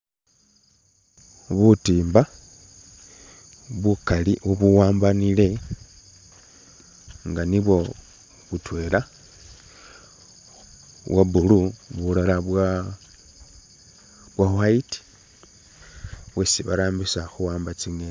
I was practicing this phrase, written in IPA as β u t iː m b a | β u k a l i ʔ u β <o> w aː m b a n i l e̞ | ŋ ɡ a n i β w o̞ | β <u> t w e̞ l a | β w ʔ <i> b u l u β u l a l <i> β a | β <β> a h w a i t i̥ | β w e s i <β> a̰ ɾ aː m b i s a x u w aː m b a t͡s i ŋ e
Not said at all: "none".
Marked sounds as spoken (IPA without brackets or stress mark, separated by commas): u, u, a, a, w, β